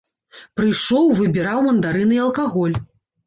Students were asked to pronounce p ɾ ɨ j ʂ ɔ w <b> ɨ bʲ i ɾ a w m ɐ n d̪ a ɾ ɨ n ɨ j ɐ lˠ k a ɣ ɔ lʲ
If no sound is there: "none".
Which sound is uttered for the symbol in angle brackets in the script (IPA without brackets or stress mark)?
v